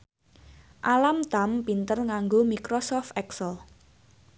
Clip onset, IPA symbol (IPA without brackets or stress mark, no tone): ʔ